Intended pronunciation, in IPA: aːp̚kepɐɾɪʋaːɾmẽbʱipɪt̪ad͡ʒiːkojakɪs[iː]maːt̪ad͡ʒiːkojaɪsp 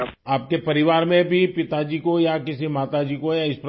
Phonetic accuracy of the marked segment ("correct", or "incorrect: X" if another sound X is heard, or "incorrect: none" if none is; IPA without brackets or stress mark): incorrect: i